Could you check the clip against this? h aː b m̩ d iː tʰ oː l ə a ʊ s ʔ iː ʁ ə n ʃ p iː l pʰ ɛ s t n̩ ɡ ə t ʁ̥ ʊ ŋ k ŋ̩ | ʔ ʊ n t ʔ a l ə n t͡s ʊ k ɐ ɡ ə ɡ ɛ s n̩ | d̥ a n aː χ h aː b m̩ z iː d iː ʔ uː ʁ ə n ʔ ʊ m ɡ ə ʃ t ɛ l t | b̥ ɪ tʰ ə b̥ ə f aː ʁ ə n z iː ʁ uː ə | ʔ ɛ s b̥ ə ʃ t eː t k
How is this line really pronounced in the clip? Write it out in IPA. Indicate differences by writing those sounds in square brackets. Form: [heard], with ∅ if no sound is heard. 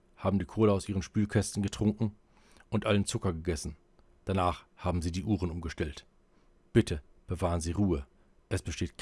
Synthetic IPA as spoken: h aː b m̩ d iː [kʰ] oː l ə a ʊ s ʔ iː ʁ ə n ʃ p [yː] l [kʰ] ɛ s t n̩ ɡ ə t ʁ̥ ʊ ŋ k ŋ̩ | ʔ ʊ n t ʔ a l ə n t͡s ʊ k ɐ ɡ ə ɡ ɛ s n̩ | d̥ a n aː χ h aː b m̩ z iː d iː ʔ uː ʁ ə n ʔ ʊ m ɡ ə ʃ t ɛ l t | b̥ ɪ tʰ ə b̥ ə [v] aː ʁ ə n z iː ʁ uː ə | ʔ ɛ s b̥ ə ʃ t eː t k